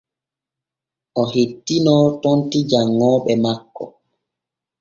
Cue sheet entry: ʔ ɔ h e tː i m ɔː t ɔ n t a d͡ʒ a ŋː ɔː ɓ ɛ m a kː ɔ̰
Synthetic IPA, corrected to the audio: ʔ ɔ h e tː i n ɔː t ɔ n t i d͡ʒ a ŋː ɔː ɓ ɛ m a kː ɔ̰